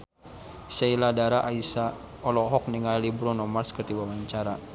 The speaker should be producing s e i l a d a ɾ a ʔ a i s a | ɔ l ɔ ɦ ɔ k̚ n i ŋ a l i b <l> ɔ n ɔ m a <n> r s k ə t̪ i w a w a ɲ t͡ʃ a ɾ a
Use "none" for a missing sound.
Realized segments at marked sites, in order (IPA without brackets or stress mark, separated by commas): ɾ, none